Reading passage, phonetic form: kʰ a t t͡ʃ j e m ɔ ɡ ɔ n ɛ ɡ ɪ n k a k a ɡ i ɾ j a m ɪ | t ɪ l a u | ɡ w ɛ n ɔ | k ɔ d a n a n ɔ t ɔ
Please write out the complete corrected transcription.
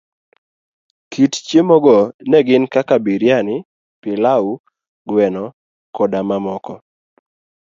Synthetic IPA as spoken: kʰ i t t͡ʃ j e m ɔ ɡ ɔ n ɛ ɡ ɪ n k a k a b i ɾ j a n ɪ | p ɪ l a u | ɡ w ɛ n ɔ | k ɔ d a m a m ɔ k ɔ